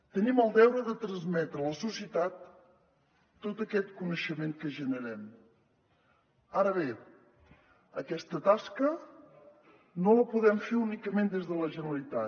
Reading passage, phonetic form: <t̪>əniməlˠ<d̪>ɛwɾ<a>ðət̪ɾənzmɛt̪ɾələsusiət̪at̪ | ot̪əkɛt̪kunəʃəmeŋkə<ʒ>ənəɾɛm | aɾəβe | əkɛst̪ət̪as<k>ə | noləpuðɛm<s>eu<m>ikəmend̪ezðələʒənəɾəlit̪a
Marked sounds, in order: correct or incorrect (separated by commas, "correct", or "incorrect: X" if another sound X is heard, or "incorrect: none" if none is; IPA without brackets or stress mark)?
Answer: correct, correct, incorrect: ə, correct, correct, incorrect: f, incorrect: n